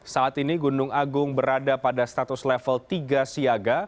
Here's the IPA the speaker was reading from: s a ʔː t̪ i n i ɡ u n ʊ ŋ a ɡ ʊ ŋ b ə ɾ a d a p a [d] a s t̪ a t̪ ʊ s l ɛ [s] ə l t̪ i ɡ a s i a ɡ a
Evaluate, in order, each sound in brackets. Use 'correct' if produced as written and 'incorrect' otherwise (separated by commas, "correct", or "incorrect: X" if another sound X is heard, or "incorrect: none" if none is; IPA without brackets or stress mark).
correct, incorrect: f